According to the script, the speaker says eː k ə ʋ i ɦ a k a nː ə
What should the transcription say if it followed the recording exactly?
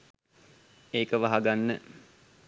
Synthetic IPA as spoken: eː k ə ʋ a ɦ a ɡ a nː ə